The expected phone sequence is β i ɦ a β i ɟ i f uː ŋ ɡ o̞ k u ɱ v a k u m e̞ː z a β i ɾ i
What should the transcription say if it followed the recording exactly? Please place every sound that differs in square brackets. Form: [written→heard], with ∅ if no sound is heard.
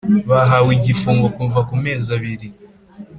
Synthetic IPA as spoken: β [i→a] ɦ a [β→w] i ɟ i f uː ŋ ɡ o̞ k u ɱ v a k u m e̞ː z a β i ɾ i